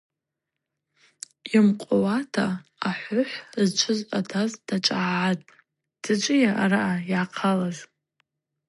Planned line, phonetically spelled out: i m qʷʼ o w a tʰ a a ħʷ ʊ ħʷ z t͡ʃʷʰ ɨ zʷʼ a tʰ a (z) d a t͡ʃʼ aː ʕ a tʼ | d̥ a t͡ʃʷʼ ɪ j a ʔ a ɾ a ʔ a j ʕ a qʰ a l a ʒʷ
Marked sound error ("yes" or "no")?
no